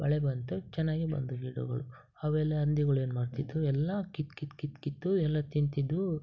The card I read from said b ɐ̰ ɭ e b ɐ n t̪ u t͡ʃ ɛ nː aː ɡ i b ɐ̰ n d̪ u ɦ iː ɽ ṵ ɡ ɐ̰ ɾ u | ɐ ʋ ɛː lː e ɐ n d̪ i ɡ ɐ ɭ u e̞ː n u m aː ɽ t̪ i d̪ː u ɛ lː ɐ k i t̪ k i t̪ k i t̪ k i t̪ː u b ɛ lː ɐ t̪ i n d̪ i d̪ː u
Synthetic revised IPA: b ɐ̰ ɭ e b ɐ n t̪ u t͡ʃ ɛ nː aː ɡ i b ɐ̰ n d̪ u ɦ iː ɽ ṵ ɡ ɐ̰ ɭ u | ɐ ʋ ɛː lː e ɐ n d̪ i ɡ ɐ ɭ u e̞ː n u m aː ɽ t̪ i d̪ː u ɛ lː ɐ k i t̪ k i t̪ k i t̪ k i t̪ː u ɛ lː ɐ t̪ i n t̪ i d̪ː u